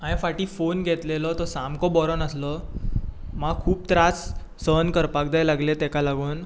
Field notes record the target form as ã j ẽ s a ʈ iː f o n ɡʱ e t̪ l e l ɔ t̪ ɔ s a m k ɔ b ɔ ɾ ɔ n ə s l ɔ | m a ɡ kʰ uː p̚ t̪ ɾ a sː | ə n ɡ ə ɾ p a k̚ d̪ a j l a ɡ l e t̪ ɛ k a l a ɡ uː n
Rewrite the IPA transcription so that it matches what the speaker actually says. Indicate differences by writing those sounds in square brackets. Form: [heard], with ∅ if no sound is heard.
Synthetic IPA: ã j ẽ [f] a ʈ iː f o n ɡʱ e t̪ l e l ɔ t̪ ɔ s a m k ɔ b ɔ ɾ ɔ n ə s l ɔ | m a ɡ kʰ uː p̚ t̪ ɾ a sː | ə n [k] ə ɾ p a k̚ d̪ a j l a ɡ l e t̪ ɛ k a l a ɡ uː n